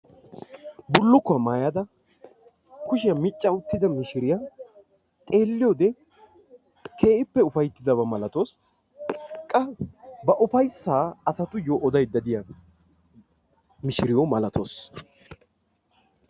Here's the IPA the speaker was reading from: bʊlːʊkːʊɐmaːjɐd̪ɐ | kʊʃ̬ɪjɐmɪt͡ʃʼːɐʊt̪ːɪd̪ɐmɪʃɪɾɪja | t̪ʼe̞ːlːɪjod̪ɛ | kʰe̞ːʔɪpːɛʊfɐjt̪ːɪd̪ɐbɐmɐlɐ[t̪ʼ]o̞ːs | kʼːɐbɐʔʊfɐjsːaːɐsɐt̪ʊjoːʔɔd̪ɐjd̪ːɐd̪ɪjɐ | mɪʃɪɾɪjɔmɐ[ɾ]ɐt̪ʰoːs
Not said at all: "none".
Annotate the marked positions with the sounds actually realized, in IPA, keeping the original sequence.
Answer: t̪, l

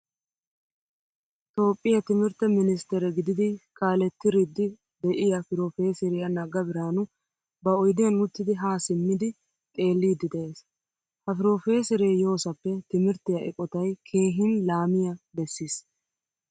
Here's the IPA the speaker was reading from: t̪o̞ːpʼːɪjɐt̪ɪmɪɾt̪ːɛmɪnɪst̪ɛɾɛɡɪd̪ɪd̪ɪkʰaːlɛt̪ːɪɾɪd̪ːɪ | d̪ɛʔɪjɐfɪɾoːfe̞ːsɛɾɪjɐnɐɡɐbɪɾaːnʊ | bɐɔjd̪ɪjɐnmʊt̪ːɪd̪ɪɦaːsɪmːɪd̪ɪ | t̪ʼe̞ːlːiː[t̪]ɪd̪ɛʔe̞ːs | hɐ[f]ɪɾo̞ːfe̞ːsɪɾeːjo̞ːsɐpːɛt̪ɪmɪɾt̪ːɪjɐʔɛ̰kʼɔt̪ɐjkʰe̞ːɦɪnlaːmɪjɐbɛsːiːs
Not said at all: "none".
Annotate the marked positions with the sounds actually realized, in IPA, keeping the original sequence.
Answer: d̪, f

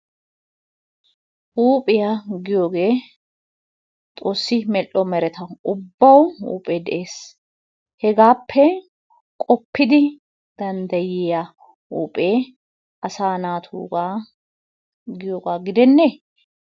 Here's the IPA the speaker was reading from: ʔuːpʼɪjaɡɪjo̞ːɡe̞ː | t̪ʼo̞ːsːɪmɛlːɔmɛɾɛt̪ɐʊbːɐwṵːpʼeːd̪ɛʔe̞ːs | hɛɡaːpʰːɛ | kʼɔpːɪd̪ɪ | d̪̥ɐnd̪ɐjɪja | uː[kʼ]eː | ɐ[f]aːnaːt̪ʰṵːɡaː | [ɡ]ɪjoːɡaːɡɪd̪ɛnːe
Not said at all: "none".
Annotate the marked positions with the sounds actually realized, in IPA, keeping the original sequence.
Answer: pʼ, s, ɡ

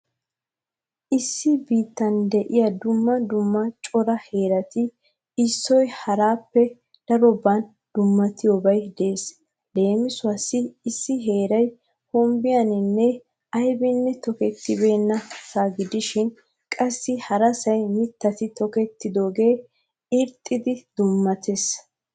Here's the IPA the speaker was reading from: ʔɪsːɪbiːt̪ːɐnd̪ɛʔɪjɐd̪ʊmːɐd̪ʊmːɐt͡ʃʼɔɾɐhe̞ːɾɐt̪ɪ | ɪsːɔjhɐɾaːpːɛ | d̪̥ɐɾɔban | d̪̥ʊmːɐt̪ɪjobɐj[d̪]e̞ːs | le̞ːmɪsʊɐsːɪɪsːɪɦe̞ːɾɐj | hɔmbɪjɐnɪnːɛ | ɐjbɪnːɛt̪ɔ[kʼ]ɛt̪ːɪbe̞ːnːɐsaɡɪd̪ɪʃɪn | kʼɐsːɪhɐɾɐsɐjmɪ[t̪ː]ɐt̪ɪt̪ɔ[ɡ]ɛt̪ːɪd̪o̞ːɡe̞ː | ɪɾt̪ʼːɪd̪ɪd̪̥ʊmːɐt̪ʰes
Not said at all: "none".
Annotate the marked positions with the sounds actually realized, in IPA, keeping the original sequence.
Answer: d̪, k, t̪ː, k

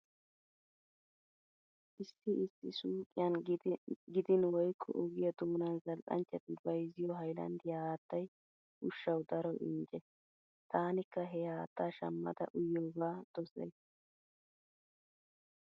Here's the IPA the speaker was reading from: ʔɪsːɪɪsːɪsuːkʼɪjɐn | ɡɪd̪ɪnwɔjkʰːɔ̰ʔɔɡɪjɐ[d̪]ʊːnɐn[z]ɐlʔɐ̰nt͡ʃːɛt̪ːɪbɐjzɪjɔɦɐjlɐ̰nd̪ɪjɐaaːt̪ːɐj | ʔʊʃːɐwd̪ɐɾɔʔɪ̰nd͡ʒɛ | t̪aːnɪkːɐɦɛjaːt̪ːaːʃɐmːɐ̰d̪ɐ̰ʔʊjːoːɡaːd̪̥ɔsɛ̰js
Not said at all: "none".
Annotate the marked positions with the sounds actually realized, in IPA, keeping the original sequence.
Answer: d̪, z

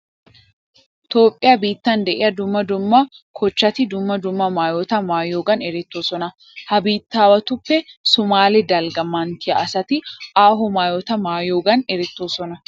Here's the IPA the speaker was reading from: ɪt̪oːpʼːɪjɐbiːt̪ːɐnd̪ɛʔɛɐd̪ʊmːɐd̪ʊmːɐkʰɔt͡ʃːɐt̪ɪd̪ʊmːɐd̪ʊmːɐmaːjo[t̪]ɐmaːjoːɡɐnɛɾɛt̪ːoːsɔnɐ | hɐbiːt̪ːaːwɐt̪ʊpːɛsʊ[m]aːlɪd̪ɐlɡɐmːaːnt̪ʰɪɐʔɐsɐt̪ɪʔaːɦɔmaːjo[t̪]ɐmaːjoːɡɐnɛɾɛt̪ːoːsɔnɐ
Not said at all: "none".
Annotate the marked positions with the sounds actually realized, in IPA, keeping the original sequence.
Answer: t̪, m, t̪

